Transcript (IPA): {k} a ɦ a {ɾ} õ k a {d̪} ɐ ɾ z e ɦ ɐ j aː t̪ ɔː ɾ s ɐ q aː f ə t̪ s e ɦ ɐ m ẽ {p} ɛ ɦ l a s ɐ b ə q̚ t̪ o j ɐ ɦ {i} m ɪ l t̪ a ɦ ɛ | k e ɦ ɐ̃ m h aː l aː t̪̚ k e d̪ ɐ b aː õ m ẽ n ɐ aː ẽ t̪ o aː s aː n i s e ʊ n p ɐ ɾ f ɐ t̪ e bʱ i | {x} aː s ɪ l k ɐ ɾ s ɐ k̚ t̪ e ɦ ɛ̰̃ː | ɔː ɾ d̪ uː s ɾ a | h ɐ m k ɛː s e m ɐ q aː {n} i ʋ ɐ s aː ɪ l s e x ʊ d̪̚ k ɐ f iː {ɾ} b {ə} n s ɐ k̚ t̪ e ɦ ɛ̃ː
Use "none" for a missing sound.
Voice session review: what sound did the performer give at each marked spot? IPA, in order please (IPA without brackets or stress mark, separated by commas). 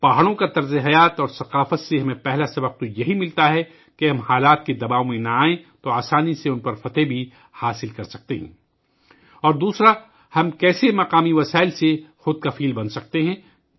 p, ɽ, t̪, p, i, h, m, l, ɐ